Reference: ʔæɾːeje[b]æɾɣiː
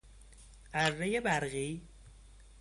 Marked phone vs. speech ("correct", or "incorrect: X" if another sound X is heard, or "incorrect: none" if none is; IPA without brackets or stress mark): correct